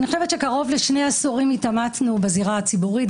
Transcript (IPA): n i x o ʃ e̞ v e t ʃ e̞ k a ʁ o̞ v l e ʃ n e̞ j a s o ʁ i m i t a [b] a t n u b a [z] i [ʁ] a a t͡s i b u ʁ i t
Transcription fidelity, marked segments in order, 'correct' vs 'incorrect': incorrect: m, correct, correct

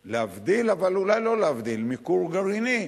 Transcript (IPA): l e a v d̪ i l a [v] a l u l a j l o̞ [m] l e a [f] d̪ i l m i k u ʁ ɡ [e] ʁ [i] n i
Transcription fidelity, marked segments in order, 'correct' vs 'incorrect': correct, incorrect: none, incorrect: v, incorrect: a, correct

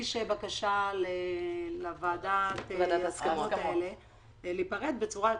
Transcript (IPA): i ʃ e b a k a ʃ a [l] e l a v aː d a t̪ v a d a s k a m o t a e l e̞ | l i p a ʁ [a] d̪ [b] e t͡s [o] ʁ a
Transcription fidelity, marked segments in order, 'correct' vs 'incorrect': correct, incorrect: e, correct, incorrect: u

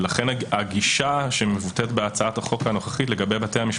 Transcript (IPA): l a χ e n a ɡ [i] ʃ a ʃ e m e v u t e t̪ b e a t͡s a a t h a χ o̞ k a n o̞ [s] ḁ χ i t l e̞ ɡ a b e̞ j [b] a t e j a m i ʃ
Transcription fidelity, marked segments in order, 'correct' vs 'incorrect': correct, incorrect: χ, correct

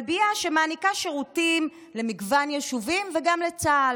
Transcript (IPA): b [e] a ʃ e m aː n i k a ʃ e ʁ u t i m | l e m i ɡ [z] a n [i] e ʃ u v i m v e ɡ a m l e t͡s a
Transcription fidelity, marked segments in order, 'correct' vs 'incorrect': incorrect: i, incorrect: v, incorrect: j

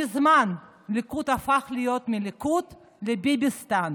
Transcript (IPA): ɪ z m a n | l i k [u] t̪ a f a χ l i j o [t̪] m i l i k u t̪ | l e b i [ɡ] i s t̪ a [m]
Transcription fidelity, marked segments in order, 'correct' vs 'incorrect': correct, correct, incorrect: b, incorrect: n

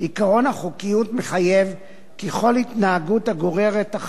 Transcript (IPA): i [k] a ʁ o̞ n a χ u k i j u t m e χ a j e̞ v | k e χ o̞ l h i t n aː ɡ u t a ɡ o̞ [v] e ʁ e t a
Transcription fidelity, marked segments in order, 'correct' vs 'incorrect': correct, incorrect: ʁ

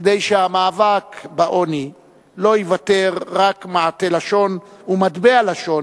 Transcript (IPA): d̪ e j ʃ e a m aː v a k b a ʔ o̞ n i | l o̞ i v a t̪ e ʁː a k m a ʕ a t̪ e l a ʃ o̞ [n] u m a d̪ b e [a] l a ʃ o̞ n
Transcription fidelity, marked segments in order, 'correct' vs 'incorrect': correct, correct

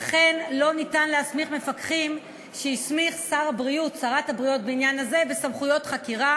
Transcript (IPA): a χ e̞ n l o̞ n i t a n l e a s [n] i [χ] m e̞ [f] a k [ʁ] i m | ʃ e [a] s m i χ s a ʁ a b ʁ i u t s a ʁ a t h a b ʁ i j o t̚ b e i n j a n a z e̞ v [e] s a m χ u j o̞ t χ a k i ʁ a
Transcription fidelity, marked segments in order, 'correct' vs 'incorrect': incorrect: m, correct, correct, incorrect: χ, incorrect: i, correct

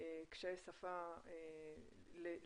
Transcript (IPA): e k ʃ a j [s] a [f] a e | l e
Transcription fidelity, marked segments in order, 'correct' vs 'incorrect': correct, correct

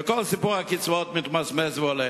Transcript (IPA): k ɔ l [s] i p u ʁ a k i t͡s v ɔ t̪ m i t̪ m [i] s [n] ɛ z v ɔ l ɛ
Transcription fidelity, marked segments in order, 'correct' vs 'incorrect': correct, incorrect: a, incorrect: m

